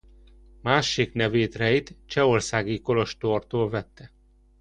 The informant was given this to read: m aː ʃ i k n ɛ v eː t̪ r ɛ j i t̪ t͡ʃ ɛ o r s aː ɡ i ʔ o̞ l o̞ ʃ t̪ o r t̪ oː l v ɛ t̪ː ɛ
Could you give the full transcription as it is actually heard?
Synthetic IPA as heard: m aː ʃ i k n ɛ v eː t̪ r ɛ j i t̪ t͡ʃ ɛ o r s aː ɡ i k o̞ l o̞ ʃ t̪ o r t̪ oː l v ɛ t̪ː ɛ